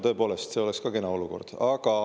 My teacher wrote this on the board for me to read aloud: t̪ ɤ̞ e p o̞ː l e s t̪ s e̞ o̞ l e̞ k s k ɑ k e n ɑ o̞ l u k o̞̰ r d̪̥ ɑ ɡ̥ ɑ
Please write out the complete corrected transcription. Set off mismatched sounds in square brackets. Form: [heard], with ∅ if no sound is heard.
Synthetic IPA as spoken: t̪ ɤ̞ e p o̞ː l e s t̪ s e̞ o̞ l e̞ k s k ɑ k e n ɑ o̞ l u k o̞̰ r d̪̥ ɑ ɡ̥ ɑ